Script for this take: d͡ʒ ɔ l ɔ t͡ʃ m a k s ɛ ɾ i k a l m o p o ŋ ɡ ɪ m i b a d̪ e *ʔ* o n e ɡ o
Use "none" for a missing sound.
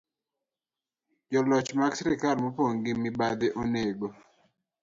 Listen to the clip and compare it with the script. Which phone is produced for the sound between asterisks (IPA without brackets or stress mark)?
ʔ